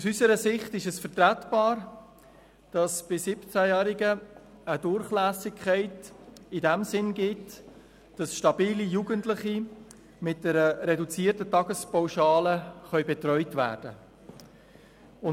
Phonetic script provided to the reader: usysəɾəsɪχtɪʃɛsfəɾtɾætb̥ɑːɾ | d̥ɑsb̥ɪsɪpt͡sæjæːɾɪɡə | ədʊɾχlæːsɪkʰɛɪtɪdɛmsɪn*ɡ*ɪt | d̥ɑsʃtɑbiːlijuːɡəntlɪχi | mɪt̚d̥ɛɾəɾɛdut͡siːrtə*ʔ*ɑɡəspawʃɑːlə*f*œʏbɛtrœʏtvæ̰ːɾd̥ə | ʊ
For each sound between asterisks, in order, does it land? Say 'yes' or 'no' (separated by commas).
yes, no, no